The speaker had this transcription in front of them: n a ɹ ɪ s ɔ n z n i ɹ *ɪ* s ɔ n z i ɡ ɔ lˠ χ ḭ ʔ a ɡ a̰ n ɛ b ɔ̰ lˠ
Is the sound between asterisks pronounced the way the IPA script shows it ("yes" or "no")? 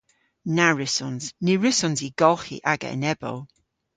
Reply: yes